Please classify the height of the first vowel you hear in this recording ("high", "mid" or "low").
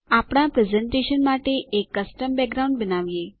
low